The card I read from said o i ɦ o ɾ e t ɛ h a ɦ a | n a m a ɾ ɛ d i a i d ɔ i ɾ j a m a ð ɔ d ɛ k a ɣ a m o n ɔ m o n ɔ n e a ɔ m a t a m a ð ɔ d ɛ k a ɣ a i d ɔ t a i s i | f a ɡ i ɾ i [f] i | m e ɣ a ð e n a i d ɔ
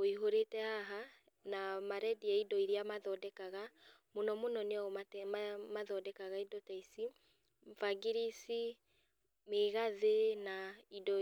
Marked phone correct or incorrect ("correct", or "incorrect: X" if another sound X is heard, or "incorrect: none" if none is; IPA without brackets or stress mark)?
incorrect: s